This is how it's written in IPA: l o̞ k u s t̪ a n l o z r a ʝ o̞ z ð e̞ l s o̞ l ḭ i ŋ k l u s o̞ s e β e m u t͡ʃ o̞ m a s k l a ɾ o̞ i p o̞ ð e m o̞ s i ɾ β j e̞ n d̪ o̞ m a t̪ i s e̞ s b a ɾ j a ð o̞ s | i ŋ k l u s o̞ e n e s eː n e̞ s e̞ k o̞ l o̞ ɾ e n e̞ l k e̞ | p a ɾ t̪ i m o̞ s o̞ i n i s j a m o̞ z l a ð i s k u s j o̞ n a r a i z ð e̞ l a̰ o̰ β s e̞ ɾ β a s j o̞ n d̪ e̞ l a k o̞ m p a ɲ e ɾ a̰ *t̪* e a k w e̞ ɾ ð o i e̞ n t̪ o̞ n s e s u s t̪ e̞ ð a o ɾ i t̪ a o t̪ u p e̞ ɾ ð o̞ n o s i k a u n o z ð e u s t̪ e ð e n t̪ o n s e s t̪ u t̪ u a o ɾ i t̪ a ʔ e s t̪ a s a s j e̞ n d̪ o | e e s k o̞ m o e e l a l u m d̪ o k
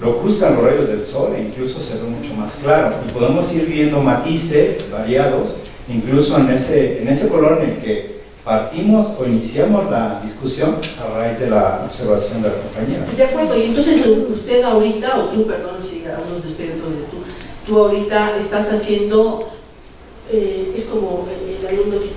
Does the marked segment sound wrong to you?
yes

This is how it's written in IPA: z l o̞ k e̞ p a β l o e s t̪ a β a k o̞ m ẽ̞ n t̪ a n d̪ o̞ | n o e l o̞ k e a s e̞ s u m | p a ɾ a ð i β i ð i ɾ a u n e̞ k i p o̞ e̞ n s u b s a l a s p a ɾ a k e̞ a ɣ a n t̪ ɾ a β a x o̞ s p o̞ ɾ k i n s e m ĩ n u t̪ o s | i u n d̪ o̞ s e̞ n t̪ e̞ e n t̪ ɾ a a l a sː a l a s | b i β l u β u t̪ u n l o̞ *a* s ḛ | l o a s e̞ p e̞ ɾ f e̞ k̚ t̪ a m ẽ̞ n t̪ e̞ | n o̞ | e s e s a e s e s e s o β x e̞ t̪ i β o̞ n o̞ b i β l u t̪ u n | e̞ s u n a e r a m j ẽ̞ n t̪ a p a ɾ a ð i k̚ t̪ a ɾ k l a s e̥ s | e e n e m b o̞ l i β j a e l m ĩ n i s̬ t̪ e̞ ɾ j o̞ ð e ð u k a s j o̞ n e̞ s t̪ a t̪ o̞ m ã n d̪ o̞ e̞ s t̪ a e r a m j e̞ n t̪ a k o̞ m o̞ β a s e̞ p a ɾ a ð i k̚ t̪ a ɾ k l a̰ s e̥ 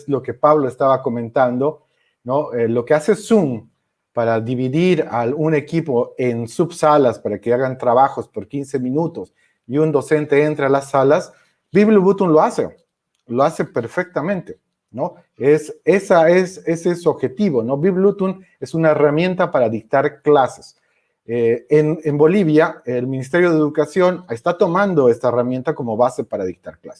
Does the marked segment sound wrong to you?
no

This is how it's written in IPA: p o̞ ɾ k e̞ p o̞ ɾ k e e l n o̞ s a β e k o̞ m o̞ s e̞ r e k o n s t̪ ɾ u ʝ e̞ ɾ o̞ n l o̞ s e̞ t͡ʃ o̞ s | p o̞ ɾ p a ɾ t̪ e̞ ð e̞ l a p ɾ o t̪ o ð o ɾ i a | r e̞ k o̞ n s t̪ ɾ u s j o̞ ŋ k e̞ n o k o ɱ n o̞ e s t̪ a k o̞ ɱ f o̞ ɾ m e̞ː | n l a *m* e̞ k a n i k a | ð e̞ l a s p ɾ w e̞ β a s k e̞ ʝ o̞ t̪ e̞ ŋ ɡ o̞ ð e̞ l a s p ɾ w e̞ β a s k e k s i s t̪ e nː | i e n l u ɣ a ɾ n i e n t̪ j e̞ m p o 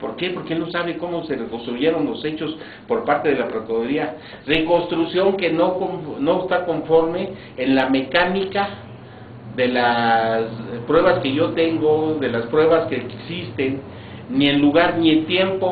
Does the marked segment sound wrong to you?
no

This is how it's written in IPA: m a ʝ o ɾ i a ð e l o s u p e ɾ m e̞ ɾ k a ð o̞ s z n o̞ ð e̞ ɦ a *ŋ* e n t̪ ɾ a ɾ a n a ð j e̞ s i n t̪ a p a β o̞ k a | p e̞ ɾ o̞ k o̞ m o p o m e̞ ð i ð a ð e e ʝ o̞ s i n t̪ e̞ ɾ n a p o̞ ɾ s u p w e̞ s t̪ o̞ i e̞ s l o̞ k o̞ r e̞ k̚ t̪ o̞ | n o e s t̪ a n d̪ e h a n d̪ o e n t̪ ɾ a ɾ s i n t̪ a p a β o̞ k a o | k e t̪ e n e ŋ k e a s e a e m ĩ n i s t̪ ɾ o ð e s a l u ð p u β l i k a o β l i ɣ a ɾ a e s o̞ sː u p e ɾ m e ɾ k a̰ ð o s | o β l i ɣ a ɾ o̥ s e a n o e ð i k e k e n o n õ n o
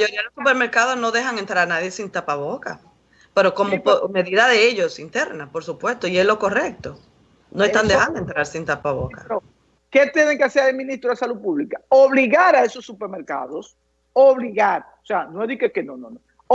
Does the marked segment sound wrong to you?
no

